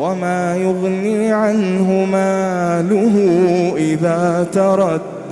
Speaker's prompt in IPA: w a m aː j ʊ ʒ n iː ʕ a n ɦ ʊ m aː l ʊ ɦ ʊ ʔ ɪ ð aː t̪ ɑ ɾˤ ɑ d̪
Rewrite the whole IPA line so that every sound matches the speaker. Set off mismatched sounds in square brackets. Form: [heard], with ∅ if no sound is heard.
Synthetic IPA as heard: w a m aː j ʊ [ɣ] n iː ʕ a n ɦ ʊ m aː l ʊ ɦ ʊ ʔ ɪ ð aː t̪ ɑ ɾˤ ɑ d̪